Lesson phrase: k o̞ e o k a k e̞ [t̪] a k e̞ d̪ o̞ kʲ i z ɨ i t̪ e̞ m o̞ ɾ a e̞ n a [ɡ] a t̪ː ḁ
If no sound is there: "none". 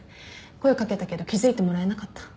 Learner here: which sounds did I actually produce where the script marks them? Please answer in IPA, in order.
t̪, k

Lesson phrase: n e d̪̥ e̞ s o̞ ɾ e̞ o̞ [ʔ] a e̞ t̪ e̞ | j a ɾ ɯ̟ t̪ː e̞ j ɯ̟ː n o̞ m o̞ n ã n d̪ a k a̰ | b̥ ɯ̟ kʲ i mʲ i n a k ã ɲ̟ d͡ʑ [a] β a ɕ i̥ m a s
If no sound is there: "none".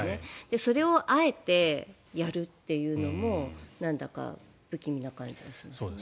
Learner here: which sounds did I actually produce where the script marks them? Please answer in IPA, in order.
ʔ, i

